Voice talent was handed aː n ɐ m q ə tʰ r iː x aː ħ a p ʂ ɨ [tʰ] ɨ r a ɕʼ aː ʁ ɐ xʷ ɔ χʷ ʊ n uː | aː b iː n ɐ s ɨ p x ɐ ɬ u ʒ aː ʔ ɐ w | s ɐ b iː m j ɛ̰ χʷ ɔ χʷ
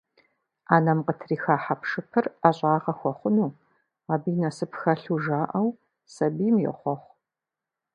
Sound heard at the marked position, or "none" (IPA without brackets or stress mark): pʰ